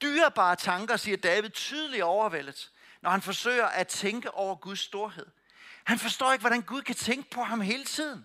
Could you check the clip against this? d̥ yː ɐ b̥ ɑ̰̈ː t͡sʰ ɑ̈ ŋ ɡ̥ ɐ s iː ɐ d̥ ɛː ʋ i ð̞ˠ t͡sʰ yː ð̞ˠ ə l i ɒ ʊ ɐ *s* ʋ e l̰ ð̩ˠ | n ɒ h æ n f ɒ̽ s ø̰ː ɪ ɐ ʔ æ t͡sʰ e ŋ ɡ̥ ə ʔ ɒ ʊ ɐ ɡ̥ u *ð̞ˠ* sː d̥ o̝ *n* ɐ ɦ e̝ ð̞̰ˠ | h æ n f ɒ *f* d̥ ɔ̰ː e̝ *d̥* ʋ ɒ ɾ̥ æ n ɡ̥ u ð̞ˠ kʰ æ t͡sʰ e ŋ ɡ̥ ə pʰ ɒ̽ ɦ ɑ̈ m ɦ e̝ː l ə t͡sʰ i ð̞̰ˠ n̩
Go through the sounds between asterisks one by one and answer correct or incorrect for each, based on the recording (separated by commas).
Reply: incorrect, correct, incorrect, incorrect, incorrect